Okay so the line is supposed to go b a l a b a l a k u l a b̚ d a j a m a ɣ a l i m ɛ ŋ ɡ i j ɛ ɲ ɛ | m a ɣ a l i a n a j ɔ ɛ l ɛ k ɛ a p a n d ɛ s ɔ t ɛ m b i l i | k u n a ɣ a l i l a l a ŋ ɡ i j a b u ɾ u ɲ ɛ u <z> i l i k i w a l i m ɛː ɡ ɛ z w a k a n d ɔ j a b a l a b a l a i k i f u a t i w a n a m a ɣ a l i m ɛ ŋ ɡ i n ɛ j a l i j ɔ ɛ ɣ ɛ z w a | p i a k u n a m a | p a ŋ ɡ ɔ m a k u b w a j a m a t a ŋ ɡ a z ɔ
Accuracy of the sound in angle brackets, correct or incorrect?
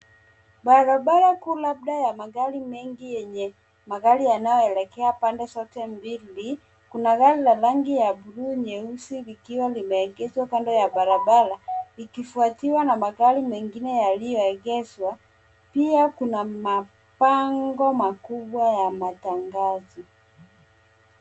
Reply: incorrect